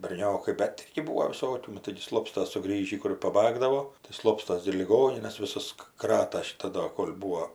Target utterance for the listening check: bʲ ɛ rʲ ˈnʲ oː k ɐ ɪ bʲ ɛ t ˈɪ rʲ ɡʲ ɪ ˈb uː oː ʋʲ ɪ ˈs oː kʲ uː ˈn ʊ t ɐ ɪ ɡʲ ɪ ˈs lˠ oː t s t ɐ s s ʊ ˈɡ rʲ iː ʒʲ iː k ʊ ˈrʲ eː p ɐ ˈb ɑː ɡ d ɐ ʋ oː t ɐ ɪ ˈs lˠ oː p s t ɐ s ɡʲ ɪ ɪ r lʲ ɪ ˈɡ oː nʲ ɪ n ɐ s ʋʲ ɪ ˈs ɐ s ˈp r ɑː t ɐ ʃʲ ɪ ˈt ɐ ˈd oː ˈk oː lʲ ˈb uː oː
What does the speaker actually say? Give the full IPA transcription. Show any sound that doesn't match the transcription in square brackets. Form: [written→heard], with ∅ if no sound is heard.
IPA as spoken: bʲ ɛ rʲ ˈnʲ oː k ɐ ɪ bʲ ɛ t ˈɪ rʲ ɡʲ ɪ ˈb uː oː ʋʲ ɪ ˈs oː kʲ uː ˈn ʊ t ɐ ɪ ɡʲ ɪ ˈs lˠ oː [t→p] s t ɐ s s ʊ ˈɡ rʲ iː ʒʲ iː k ʊ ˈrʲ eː p ɐ ˈb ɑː ɡ d ɐ ʋ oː t ɐ ɪ ˈs lˠ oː p s t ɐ s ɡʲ ɪ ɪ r lʲ ɪ ˈɡ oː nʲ ɪ n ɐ s ʋʲ ɪ ˈs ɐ s [ˈp→ˈk] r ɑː t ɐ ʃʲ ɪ ˈt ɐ ˈd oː ˈk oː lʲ ˈb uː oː

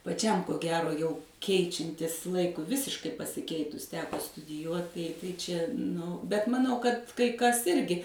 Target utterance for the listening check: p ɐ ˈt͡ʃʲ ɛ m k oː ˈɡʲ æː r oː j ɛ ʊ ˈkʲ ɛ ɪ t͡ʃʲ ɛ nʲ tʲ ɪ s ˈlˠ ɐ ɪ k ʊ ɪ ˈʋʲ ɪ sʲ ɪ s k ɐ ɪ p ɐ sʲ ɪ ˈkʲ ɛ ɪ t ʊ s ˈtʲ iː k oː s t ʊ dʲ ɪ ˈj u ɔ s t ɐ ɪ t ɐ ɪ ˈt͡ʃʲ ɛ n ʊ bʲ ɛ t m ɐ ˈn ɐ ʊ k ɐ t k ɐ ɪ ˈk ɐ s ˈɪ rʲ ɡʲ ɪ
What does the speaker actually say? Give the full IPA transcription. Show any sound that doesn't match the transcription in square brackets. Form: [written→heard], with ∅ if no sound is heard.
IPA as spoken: p ɐ ˈt͡ʃʲ ɛ m k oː ˈɡʲ æː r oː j ɛ ʊ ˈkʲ ɛ ɪ t͡ʃʲ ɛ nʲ tʲ ɪ s ˈlˠ ɐ ɪ k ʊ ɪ ˈʋʲ ɪ sʲ ɪ [s→ʃ] k ɐ ɪ p ɐ sʲ ɪ ˈkʲ ɛ ɪ t ʊ s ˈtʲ [iː→æː] k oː s t ʊ dʲ ɪ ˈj u ɔ [s→t] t ɐ ɪ t ɐ ɪ ˈt͡ʃʲ ɛ n ʊ bʲ ɛ t m ɐ ˈn ɐ ʊ k ɐ t k ɐ ɪ ˈk ɐ s ˈɪ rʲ ɡʲ ɪ

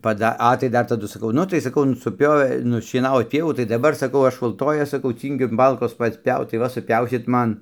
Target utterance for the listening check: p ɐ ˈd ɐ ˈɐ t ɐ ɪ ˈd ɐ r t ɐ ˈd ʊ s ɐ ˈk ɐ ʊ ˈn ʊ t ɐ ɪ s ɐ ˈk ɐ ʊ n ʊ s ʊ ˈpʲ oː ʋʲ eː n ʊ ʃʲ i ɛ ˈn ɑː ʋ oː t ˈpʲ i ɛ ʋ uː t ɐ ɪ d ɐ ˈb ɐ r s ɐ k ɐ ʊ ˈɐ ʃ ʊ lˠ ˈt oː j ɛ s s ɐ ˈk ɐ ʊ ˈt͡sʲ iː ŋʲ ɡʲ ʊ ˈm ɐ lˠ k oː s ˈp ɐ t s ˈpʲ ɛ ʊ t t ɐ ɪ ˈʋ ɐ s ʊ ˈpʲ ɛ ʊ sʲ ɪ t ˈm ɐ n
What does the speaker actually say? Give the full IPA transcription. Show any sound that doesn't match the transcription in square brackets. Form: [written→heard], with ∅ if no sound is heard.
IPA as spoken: p ɐ ˈd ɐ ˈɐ t ɐ ɪ ˈd ɐ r t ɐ ˈd ʊ s ɐ ˈk ɐ ʊ ˈn ʊ t ɐ ɪ s ɐ ˈk ɐ ʊ n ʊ s ʊ ˈpʲ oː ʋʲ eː n ʊ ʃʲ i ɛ ˈn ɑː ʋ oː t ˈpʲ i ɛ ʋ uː t ɐ ɪ d ɐ ˈb ɐ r s ɐ k ɐ ʊ ˈɐ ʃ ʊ lˠ ˈt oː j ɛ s s ɐ ˈk ɐ ʊ ˈt͡sʲ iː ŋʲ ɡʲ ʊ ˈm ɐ lˠ k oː s ˈp ɐ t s ˈpʲ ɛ ʊ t t ɐ ɪ ˈʋ ɐ s ʊ ˈpʲ ɛ ʊ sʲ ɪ t ˈm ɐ n

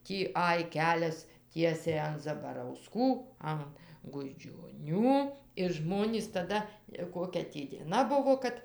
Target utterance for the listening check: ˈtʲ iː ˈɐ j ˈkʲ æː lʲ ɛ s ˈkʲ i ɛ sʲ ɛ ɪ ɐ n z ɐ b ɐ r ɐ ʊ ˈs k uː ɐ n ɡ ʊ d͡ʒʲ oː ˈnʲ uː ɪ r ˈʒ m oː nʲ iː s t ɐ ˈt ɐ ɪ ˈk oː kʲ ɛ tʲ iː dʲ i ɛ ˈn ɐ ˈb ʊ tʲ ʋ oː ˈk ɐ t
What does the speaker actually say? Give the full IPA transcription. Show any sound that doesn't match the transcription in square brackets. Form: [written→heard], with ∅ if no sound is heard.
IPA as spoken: ˈtʲ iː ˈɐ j ˈkʲ æː lʲ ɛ s [ˈkʲ→ˈtʲ] i ɛ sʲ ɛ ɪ ɐ n z ɐ b ɐ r ɐ ʊ ˈs k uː ɐ n ɡ ʊ d͡ʒʲ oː ˈnʲ uː ɪ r ˈʒ m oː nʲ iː s t ɐ [ˈt→ˈd] ɐ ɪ ˈk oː kʲ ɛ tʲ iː dʲ i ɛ ˈn ɐ ˈb ʊ [tʲ→∅] ʋ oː ˈk ɐ t

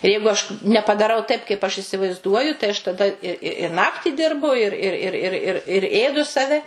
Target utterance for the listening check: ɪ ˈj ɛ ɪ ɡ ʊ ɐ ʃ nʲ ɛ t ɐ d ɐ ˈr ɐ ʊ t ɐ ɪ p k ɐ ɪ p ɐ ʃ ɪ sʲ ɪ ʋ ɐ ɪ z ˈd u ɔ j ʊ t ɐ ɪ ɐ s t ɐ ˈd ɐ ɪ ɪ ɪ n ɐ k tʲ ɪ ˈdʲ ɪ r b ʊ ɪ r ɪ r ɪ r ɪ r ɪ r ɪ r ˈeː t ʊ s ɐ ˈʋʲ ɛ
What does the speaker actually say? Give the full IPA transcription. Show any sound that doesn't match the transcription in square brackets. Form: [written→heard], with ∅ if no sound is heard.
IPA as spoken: ɪ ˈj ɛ ɪ ɡ ʊ ɐ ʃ nʲ ɛ [t→p] ɐ d ɐ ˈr ɐ ʊ t ɐ ɪ p k ɐ ɪ p ɐ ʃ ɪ sʲ ɪ ʋ ɐ ɪ z ˈd u ɔ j ʊ t ɐ ɪ ɐ [s→ʃ] t ɐ ˈd ɐ ɪ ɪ ɪ n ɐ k tʲ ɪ ˈdʲ ɪ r b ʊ ɪ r ɪ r ɪ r ɪ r ɪ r ɪ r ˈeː [t→d] ʊ s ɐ ˈʋʲ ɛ

